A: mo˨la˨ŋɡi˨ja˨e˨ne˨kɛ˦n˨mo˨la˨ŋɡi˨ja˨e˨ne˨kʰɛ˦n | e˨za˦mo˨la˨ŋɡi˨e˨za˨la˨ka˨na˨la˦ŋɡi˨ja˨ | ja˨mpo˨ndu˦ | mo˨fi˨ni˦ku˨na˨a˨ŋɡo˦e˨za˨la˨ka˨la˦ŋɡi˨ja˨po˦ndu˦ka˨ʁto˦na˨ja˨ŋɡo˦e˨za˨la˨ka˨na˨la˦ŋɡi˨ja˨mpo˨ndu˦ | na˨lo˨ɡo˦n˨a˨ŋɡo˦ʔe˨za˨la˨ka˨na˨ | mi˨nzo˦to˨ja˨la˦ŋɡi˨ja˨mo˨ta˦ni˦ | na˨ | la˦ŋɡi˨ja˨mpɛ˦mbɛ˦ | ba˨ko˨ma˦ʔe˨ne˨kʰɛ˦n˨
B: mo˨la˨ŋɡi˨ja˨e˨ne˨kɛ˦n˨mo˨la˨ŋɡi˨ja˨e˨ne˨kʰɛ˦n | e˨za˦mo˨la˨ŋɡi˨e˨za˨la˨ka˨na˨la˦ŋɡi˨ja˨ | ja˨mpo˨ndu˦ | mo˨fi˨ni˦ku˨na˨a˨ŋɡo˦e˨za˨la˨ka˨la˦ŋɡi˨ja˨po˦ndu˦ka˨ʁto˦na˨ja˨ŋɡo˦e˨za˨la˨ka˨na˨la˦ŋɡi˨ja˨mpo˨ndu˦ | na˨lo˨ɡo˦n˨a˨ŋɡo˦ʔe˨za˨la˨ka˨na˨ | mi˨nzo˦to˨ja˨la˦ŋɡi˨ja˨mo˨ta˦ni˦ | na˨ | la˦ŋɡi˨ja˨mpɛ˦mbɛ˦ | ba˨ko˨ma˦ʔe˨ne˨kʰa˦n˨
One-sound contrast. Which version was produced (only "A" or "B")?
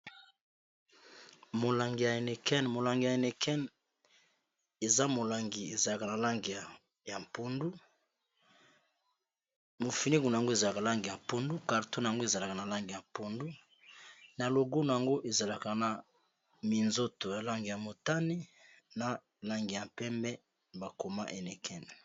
A